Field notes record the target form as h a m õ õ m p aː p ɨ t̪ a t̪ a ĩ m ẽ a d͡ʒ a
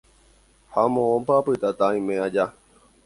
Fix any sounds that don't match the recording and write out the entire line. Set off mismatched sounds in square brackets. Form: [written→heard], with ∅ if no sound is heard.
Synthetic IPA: h a m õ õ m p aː p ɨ t̪ a t̪ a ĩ m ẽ a d͡ʒ a